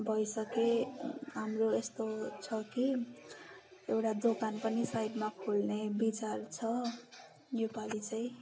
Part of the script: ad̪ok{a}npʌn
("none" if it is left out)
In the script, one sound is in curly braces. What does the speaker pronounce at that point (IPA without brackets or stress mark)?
a